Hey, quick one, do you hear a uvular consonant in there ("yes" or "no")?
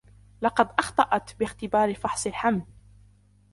yes